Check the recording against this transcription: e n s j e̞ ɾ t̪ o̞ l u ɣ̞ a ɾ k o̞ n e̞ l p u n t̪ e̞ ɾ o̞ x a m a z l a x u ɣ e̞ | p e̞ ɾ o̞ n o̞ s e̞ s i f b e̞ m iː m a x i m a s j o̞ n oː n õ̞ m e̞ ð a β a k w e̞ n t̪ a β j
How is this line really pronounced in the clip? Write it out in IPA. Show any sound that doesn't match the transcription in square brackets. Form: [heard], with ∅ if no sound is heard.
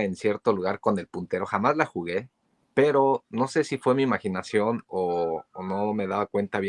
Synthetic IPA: e n s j e̞ ɾ t̪ o̞ l u ɣ̞ a ɾ k o̞ n e̞ l p u n t̪ e̞ ɾ o̞ x a m a z l a x u ɣ e̞ | p e̞ ɾ o̞ n o̞ s e̞ s i f [w] e̞ m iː m a x i [n] a s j o̞ n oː n [o̞] m e̞ ð a β a k w e̞ n t̪ a β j